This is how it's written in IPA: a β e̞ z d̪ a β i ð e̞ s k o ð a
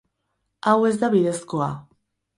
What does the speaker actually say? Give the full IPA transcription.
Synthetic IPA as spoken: a w e̞ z d̪ a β i ð e̞ s k o a